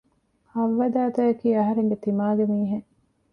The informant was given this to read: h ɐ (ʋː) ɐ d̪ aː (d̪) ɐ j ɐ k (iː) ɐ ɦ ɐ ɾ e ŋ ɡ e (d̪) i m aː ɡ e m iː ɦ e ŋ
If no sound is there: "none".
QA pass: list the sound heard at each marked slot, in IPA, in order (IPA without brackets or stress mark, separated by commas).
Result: ʋː, t̪, iː, t̪